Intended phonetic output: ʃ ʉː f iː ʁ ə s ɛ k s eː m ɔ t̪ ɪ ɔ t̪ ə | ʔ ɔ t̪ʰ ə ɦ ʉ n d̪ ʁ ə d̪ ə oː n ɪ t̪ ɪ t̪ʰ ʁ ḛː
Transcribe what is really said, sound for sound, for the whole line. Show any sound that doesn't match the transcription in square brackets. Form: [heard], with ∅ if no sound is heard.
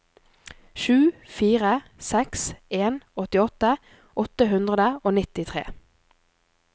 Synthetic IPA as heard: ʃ ʉː f iː ʁ ə s ɛ k s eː [n] ɔ t̪ ɪ ɔ t̪ ə | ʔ ɔ [t̪] ə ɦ ʉ n d̪ ʁ ə d̪ ə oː n ɪ t̪ ɪ t̪ʰ ʁ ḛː